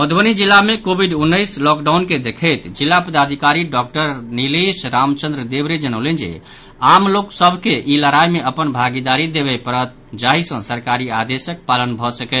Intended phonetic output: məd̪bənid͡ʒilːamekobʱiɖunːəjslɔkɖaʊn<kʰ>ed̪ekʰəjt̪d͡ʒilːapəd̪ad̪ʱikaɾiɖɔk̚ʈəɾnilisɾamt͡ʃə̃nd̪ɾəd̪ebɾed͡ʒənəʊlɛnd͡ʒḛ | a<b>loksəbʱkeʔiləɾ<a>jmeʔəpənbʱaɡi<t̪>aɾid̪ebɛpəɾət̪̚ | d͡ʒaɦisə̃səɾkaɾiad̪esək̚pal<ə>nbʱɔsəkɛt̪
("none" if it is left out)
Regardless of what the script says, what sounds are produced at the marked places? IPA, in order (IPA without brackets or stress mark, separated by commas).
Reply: k, m, a, d̪, ə